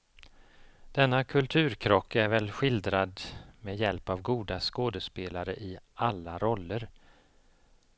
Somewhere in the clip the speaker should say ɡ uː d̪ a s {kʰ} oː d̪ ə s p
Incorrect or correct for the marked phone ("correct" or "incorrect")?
incorrect